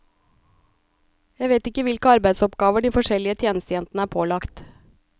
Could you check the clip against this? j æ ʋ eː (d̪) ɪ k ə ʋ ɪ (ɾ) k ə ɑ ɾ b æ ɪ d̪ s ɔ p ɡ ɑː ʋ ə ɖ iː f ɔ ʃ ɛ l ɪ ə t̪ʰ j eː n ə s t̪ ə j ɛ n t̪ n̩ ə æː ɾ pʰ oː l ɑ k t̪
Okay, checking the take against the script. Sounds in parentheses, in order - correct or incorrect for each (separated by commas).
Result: incorrect, incorrect